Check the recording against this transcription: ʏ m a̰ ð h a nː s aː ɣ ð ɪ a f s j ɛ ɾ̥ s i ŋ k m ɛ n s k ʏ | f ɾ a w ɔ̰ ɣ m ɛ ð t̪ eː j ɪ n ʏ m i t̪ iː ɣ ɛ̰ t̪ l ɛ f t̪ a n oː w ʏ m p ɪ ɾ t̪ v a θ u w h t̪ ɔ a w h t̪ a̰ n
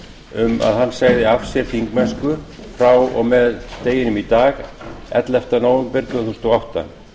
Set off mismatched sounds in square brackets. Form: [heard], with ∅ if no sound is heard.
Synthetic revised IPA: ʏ m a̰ ð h a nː s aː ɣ ð ɪ a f s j ɛ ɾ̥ [θ] i ŋ k m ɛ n s k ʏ | f ɾ a w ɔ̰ ɣ m ɛ ð t̪ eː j ɪ n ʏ m i t̪ [aː] ɣ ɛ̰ t̪ l ɛ f t̪ a n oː w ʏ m p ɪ ɾ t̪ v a θ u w [s] t̪ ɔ a w h t̪ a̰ n